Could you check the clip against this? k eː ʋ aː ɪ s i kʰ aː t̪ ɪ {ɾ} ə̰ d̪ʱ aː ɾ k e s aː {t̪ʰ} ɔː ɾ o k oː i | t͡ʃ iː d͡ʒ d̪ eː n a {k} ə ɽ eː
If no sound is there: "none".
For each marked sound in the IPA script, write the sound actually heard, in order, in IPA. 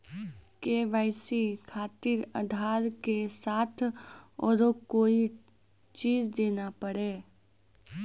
ɾ, t̪ʰ, p

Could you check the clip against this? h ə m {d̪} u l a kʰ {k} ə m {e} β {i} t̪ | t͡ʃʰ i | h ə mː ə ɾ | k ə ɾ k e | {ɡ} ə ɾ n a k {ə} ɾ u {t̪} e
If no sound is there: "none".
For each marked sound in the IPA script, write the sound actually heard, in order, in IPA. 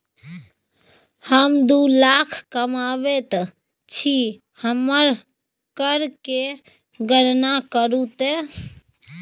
d̪, k, a, e, ɡ, ə, t̪

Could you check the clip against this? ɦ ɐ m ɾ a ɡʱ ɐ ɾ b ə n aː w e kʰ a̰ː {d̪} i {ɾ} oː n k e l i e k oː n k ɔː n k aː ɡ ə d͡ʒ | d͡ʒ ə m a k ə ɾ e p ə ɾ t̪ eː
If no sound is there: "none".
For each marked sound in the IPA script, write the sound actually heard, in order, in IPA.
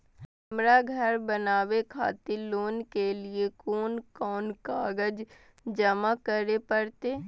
t̪, l

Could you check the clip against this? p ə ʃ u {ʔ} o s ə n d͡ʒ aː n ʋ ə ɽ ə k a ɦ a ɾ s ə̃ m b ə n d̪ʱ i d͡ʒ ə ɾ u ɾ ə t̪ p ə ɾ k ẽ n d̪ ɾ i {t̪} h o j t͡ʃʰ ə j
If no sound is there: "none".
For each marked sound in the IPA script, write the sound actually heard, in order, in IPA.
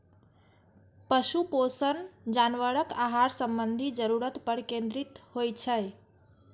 p, t̪

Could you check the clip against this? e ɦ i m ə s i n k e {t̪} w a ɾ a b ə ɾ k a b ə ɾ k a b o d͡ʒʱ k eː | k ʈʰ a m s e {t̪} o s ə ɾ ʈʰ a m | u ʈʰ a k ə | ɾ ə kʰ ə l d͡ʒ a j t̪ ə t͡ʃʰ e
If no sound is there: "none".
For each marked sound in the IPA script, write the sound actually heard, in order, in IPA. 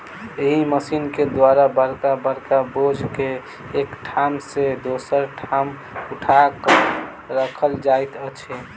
d̪, d̪

